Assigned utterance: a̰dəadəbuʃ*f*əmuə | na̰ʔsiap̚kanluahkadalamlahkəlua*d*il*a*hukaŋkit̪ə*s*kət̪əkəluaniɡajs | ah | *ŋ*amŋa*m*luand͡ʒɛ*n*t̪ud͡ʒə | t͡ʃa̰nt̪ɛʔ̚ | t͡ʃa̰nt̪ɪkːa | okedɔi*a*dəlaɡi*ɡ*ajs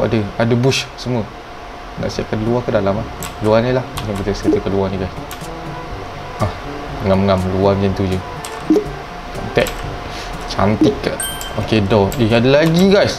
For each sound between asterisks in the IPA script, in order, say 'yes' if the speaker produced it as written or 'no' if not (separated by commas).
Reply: no, no, yes, yes, yes, yes, yes, yes, yes